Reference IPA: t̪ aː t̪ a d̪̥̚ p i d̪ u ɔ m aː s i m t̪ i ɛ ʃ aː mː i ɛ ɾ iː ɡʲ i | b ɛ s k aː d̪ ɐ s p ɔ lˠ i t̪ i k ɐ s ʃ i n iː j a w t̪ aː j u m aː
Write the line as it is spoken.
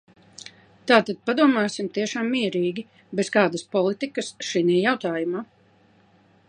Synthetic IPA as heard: t̪ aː t̪ a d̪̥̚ p a d̪ u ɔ m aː s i m t̪ i ɛ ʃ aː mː i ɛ ɾ iː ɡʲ i | b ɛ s k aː d̪ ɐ s p ɔ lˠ i t̪ i k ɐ s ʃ i n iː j a w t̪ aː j u m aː